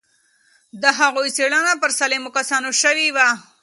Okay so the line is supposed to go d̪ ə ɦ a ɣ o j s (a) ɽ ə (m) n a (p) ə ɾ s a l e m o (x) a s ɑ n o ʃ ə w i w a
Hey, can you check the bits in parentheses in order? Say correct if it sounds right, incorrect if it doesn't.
incorrect: e, incorrect: none, correct, incorrect: k

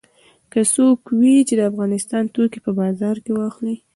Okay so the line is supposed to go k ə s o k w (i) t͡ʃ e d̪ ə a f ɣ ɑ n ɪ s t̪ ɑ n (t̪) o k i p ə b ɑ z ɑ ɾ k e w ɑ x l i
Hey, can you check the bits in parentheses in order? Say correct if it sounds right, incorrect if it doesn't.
correct, correct

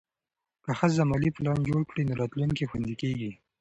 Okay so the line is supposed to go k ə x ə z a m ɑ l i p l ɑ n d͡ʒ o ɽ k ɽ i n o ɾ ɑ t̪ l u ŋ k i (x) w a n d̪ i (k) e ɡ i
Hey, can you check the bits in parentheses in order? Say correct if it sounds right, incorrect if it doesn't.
correct, correct

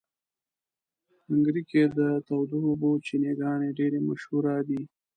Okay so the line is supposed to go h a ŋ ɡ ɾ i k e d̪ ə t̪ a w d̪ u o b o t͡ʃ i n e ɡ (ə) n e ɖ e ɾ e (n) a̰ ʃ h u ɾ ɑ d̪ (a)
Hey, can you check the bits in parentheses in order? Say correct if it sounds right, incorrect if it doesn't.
incorrect: ɑ, incorrect: m, incorrect: i

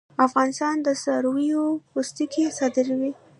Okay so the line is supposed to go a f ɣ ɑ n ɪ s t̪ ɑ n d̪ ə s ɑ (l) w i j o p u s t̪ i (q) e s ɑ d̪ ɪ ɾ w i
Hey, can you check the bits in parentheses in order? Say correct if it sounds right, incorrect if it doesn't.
incorrect: ɾ, incorrect: k

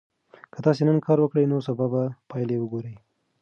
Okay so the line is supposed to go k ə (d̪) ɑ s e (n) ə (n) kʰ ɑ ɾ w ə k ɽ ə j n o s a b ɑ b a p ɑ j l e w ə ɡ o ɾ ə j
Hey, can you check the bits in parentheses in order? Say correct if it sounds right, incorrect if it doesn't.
incorrect: t̪, correct, correct

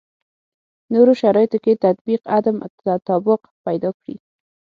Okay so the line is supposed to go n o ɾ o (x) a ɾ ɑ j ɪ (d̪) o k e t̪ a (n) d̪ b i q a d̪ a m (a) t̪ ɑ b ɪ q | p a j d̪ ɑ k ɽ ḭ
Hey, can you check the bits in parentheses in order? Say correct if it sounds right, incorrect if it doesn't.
incorrect: ʃ, incorrect: t̪, incorrect: none, correct

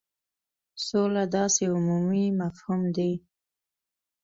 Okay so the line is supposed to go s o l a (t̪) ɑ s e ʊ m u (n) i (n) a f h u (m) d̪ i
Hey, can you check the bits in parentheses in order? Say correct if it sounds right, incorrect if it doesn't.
incorrect: d̪, incorrect: m, incorrect: m, correct

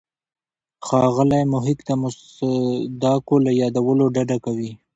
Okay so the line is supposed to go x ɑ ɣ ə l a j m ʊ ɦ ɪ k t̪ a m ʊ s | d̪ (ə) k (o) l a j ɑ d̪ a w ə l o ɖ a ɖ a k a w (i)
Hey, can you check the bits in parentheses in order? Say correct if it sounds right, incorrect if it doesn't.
incorrect: ɑ, correct, correct

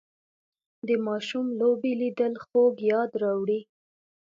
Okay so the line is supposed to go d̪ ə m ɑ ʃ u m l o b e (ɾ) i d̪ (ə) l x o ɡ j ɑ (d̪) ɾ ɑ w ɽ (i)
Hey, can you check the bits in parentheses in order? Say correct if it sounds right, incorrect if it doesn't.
incorrect: l, correct, correct, correct

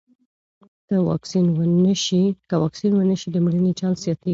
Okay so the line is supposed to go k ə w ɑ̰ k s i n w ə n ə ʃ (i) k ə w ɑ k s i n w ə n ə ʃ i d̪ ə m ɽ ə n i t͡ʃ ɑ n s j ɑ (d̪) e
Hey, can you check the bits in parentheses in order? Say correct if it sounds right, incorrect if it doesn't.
correct, incorrect: t̪

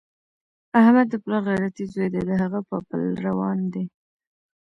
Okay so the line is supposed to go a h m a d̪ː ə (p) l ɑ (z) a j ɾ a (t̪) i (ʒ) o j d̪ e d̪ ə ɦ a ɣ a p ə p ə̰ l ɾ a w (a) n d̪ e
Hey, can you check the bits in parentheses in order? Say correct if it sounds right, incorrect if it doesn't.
correct, incorrect: ɣ, correct, incorrect: z, incorrect: ɑ

